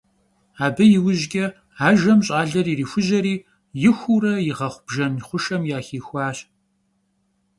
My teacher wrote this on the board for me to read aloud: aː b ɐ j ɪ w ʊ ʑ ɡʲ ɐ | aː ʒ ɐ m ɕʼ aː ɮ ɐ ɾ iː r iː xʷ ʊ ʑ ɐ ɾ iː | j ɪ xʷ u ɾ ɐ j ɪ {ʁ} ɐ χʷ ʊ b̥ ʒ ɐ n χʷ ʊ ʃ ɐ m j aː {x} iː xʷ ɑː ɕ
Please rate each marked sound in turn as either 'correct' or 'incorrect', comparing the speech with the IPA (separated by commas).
correct, correct